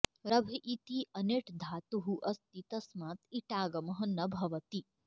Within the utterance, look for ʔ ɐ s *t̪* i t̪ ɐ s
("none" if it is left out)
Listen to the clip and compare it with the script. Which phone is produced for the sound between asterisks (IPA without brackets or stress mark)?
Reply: t̪